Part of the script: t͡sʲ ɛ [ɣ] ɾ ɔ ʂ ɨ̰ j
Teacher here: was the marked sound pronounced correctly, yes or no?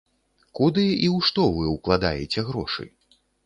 yes